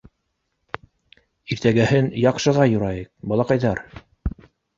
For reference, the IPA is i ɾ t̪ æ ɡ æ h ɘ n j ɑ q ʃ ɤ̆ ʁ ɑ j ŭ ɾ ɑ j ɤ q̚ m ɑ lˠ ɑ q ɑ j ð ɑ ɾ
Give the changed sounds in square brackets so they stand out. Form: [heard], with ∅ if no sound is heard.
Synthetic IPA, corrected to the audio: i ɾ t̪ æ ɡ æ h ɘ n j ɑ q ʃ ɤ̆ ʁ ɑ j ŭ ɾ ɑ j ɤ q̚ [b] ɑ lˠ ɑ q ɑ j ð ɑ ɾ